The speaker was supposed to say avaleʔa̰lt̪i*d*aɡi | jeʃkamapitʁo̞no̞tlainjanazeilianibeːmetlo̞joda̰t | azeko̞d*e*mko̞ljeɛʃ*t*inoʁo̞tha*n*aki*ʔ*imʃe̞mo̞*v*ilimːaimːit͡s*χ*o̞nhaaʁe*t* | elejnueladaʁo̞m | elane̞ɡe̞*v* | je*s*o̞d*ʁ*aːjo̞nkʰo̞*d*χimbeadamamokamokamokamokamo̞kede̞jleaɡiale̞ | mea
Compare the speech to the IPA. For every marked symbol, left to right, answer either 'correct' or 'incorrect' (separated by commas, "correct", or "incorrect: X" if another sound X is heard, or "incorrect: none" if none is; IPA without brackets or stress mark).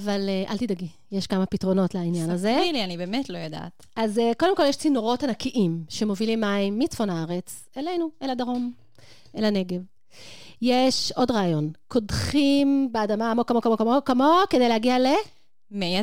correct, correct, incorrect: t͡s, correct, correct, correct, incorrect: f, incorrect: t͡s, correct, incorrect: ʃ, correct, correct